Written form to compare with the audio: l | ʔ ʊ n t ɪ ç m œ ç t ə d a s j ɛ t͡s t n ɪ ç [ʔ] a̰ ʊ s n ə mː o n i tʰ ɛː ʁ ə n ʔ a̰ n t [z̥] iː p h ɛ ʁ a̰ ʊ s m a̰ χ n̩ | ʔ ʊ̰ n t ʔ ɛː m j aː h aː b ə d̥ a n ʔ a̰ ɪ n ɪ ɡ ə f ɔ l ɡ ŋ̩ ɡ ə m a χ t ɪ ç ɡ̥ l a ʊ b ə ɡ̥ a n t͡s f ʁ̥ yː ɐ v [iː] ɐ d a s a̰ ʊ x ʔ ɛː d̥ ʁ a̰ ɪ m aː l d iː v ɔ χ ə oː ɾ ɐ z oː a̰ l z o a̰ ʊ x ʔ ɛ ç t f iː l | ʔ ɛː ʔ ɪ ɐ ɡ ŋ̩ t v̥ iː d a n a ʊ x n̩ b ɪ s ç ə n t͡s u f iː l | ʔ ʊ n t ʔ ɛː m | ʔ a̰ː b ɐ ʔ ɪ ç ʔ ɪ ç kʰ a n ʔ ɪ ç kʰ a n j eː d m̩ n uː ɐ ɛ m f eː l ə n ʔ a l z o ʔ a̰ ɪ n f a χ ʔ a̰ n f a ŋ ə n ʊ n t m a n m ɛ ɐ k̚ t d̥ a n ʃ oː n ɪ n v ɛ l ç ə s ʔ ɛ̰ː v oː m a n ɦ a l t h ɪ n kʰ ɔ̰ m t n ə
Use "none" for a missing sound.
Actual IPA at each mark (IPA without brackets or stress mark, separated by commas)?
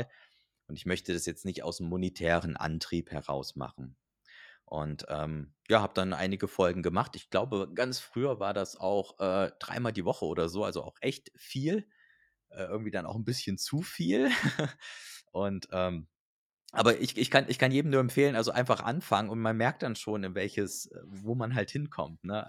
t, ʁ̥, aː